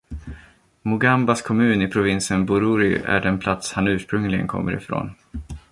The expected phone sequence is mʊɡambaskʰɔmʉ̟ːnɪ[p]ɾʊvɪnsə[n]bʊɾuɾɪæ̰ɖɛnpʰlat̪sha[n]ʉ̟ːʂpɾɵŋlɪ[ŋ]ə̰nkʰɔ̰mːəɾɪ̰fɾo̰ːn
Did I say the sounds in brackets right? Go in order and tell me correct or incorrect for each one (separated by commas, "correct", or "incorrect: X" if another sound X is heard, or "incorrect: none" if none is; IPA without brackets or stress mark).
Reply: incorrect: pʰ, correct, correct, incorrect: ɡ